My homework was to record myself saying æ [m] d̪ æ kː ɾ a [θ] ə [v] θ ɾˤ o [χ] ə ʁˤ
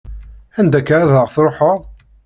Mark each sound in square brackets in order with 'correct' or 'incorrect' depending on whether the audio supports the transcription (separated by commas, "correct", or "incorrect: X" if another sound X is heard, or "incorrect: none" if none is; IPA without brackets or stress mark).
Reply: incorrect: n, incorrect: ð, incorrect: ʁ, incorrect: ħ